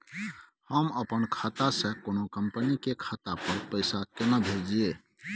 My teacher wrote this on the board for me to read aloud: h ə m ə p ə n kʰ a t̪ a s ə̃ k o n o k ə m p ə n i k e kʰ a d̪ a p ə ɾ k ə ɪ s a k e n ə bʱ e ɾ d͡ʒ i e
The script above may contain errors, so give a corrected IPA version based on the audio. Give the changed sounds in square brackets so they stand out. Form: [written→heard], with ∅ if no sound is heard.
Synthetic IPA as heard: h ə m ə p ə n kʰ a t̪ a s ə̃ k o n o k ə m p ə n i k e kʰ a [d̪→t̪] a p ə ɾ [k→p] ə ɪ s a k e n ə bʱ e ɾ d͡ʒ i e